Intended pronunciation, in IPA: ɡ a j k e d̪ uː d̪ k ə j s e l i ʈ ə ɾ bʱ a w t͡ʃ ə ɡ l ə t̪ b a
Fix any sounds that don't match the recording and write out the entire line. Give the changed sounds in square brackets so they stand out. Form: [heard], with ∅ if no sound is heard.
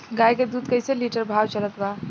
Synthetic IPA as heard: ɡ a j k e d̪ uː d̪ k ə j s e l i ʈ ə ɾ bʱ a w t͡ʃ ə [∅] l ə t̪ b a